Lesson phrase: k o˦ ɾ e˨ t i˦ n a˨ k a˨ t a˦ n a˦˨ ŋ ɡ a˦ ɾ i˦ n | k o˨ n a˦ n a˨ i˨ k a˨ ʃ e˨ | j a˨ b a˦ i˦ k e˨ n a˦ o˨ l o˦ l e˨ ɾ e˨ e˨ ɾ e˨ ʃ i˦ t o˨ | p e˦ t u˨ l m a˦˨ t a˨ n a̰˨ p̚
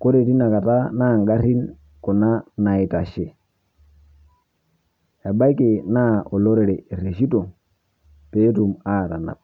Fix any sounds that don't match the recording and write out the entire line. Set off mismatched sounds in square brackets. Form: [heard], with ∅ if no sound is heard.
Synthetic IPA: k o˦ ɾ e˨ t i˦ n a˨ k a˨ t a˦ n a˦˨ ŋ ɡ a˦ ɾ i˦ n | k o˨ n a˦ n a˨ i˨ [t] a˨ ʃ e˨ | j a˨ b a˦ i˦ k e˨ n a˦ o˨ l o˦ [ɾ] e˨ ɾ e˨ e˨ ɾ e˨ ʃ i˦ t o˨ | p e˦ t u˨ [∅] m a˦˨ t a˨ n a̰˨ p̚